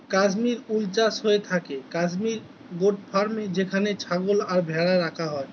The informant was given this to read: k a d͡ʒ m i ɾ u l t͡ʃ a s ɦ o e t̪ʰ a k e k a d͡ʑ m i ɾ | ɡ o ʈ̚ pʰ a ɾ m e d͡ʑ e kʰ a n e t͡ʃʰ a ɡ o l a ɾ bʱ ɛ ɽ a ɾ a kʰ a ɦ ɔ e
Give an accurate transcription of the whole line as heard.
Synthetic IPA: k a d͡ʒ m i ɾ u l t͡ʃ a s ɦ o e t̪ʰ a k e k a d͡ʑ m i ɾ | ɡ o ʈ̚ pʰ a ɾ m e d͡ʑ e kʰ a n e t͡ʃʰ a ɡ o l a ɾ bʱ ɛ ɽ a ɾ a kʰ a ɦ ɔ e